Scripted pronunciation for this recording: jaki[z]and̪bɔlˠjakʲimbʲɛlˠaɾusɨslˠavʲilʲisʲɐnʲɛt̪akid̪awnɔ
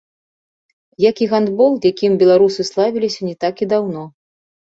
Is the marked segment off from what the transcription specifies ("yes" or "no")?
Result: yes